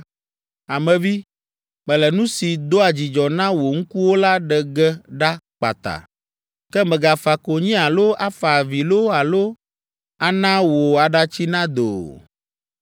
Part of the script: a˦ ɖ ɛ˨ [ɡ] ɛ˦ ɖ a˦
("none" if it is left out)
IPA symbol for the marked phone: ɡ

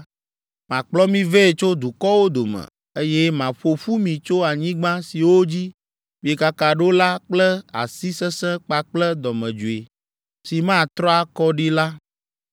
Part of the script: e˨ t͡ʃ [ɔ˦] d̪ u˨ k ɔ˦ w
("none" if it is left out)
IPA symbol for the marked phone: o˦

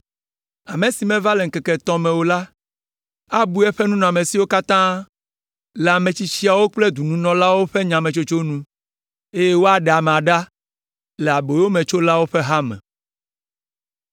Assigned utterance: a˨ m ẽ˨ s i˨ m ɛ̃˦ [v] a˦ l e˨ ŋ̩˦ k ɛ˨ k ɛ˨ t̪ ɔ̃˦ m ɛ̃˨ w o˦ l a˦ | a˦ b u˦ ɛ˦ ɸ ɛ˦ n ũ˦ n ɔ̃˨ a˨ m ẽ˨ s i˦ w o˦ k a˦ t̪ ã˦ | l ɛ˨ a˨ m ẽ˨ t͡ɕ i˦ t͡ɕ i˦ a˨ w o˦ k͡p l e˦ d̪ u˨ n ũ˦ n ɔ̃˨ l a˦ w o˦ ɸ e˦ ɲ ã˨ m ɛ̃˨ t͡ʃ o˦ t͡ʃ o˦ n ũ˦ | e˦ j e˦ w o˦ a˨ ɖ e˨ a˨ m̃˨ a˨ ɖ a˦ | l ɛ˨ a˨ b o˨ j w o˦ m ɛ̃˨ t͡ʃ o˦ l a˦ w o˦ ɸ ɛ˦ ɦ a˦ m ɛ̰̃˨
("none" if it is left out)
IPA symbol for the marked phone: v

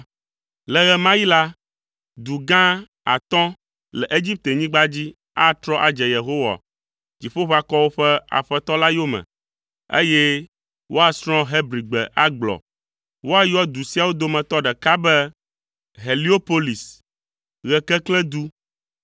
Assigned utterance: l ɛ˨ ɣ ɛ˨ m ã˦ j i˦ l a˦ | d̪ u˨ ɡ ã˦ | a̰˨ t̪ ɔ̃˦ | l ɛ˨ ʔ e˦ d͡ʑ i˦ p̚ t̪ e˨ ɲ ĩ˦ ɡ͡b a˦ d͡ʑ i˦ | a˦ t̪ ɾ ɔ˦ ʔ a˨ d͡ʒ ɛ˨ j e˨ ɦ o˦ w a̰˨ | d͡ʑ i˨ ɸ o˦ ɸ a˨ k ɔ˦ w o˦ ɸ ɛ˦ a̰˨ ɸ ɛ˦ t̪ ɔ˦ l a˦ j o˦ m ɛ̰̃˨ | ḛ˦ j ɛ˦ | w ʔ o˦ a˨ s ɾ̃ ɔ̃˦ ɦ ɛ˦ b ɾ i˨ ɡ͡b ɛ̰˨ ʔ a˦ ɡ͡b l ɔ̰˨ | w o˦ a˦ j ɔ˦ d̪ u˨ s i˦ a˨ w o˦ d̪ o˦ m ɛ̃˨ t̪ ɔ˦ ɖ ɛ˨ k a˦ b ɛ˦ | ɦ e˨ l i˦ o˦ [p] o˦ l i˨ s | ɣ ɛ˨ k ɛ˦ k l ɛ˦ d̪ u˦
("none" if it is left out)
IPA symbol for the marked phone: p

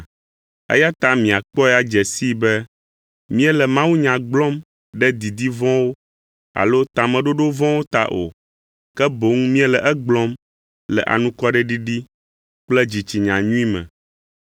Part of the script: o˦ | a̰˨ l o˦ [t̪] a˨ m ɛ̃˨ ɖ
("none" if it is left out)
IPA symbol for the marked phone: t̪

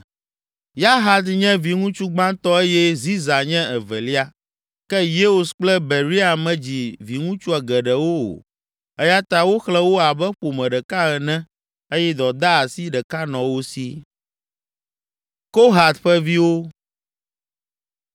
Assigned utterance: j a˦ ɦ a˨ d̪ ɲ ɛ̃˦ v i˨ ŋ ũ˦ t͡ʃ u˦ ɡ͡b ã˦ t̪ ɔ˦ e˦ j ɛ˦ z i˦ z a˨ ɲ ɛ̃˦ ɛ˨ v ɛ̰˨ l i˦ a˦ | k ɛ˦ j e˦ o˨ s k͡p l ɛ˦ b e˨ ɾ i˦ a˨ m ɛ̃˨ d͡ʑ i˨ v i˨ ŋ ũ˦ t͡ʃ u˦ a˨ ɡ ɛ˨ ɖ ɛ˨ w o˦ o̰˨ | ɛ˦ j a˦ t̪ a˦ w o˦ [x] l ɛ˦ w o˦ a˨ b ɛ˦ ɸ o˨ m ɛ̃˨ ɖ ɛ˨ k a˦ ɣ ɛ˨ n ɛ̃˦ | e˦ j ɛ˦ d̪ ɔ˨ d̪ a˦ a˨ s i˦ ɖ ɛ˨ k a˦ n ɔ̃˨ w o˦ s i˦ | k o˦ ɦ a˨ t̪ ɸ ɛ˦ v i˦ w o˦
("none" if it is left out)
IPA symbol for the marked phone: x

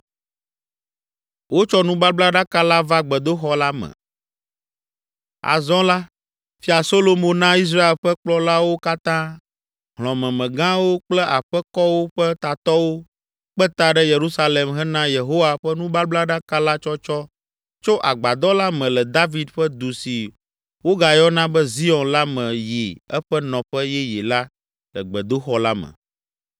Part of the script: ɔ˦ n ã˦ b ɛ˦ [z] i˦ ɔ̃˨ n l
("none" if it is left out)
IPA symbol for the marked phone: z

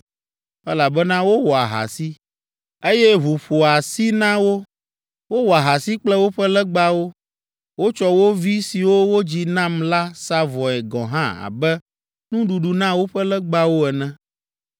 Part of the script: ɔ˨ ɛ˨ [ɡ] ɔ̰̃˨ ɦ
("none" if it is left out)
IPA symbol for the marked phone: ɡ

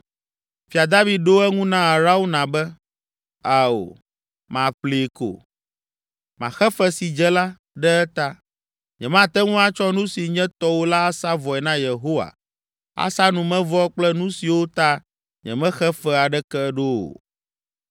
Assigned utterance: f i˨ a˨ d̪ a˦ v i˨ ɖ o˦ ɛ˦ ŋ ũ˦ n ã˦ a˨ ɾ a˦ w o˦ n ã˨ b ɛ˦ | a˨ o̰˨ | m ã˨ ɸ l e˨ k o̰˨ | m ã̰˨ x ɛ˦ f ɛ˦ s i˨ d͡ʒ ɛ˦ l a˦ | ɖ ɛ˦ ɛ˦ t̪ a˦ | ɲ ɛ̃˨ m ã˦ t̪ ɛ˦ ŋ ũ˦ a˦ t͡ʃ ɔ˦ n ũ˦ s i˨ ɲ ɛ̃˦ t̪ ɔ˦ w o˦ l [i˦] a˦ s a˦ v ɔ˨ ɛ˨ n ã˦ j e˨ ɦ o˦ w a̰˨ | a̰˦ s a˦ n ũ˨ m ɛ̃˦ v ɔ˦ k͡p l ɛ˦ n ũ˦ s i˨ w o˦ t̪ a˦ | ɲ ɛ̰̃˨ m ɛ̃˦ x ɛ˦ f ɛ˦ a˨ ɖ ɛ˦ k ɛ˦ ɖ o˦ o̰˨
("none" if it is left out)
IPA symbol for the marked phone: a˦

